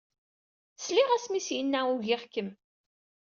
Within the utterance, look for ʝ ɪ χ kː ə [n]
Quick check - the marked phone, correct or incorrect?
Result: incorrect